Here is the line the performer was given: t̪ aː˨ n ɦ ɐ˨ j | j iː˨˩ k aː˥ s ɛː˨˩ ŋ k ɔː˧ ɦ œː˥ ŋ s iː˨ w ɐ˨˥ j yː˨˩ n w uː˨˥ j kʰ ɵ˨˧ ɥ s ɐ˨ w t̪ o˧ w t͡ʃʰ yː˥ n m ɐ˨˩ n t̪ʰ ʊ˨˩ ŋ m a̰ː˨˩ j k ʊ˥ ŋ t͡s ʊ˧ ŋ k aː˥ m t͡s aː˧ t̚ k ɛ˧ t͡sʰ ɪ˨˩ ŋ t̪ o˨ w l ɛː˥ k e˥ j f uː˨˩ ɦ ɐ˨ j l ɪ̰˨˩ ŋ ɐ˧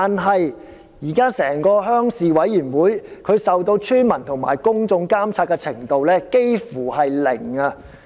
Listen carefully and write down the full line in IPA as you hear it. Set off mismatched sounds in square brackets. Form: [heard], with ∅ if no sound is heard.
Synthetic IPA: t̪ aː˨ n ɦ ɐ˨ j | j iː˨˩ k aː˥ s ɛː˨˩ ŋ k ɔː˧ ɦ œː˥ ŋ s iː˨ w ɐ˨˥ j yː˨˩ n w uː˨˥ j kʰ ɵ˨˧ ɥ s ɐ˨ w t̪ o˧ w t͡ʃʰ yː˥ n m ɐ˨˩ n t̪ʰ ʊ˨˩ ŋ m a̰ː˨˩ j k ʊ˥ ŋ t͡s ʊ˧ ŋ k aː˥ m [t͡sʰ] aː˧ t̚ k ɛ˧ t͡sʰ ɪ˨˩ ŋ t̪ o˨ w l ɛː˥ k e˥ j f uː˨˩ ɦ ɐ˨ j l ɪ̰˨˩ ŋ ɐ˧